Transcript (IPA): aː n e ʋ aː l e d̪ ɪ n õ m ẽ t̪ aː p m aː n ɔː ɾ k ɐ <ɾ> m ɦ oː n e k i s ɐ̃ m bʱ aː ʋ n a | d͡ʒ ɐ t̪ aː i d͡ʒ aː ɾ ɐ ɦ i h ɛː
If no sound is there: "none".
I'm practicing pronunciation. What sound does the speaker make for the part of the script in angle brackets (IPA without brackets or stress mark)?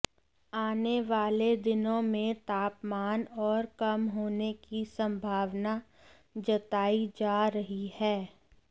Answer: none